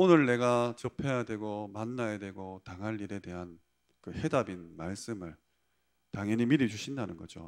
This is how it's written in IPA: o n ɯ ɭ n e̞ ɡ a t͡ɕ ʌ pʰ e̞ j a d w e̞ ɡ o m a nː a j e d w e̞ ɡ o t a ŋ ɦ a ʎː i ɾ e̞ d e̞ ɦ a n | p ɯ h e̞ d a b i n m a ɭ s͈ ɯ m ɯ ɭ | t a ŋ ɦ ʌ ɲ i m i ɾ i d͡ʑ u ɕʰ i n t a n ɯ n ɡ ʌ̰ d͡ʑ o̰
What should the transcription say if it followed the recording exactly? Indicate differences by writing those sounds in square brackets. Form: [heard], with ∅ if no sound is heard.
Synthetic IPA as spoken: o n ɯ ɭ n e̞ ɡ a t͡ɕ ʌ pʰ e̞ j a d w e̞ ɡ o m a nː a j e d w e̞ ɡ o t a ŋ ɦ a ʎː i ɾ e̞ d e̞ ɦ a n | [k] ɯ h e̞ d a b i n m a ɭ s͈ ɯ m ɯ ɭ | t a ŋ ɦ ʌ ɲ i m i ɾ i d͡ʑ u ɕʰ i n [d] a n ɯ n ɡ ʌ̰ d͡ʑ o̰